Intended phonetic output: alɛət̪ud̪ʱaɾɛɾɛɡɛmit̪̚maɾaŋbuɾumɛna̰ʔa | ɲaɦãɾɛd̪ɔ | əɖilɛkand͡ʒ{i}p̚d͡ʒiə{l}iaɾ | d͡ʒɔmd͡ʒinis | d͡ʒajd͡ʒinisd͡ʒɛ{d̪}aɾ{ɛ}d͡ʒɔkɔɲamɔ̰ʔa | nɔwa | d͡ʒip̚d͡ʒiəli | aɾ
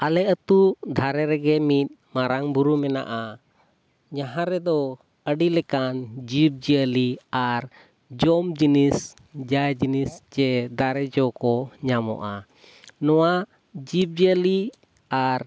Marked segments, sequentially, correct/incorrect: correct, correct, correct, correct

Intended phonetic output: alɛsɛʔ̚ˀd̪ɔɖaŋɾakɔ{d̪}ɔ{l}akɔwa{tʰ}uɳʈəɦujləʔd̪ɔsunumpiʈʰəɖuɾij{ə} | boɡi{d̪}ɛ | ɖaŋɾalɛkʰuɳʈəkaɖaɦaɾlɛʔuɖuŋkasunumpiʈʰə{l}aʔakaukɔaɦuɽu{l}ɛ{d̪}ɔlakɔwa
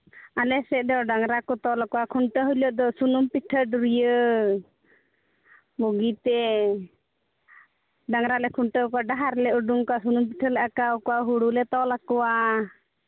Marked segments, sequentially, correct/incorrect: incorrect: t̪, correct, incorrect: kʰ, correct, incorrect: t̪, correct, correct, incorrect: t̪

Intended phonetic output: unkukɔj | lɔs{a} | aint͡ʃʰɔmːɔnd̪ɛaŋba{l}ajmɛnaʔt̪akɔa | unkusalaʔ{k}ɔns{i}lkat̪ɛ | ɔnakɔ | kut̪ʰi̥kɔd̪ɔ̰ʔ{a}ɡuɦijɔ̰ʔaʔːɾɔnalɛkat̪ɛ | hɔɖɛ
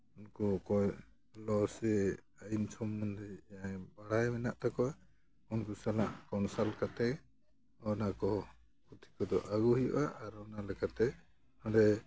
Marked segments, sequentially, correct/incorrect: incorrect: ɛ, incorrect: ɽ, correct, incorrect: a, correct

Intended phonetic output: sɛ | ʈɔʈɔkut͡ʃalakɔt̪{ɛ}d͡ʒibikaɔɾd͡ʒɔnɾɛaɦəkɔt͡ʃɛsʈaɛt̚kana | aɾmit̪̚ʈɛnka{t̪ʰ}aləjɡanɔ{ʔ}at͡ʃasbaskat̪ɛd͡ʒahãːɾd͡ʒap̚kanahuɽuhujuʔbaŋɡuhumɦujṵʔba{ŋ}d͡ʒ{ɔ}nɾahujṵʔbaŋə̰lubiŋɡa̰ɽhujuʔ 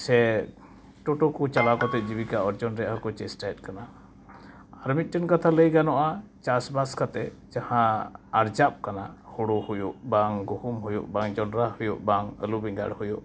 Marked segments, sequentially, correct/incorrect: correct, correct, correct, correct, correct

